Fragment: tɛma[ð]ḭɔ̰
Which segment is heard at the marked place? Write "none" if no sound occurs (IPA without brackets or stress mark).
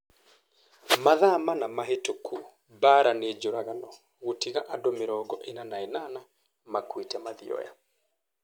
ð